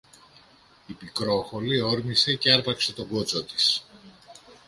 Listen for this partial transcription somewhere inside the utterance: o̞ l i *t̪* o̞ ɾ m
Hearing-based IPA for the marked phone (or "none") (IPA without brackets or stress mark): none